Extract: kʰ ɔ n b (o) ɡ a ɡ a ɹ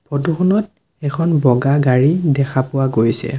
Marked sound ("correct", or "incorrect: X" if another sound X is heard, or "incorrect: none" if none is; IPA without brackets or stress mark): incorrect: ɔ